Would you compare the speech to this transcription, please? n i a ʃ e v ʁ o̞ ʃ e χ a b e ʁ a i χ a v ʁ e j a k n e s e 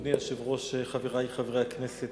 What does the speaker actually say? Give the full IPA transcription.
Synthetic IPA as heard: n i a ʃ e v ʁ o̞ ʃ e χ a v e ʁ a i χ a v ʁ e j a k n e s e